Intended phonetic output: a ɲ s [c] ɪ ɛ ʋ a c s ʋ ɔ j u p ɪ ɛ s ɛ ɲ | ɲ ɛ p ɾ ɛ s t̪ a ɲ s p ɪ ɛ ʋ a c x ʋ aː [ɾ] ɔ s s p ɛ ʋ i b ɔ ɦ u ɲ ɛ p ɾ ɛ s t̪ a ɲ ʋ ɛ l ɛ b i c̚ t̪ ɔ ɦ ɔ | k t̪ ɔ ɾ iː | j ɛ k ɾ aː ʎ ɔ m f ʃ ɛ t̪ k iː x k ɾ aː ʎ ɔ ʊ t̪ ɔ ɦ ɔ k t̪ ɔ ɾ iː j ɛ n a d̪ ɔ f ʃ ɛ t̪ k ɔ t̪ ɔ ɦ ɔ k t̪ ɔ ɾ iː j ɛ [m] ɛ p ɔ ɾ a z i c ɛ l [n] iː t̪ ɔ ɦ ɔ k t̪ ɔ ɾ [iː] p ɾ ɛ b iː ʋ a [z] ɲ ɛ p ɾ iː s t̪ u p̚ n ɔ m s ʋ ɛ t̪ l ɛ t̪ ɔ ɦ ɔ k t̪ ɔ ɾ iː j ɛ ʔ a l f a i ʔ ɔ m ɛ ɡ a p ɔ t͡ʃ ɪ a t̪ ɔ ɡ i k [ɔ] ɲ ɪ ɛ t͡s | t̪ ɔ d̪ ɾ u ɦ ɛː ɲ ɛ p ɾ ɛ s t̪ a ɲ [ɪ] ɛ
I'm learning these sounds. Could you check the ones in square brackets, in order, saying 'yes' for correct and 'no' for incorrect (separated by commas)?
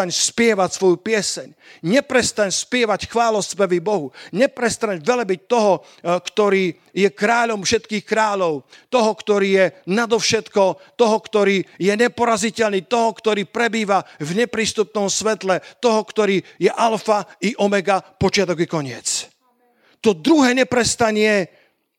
no, no, no, yes, yes, no, yes, yes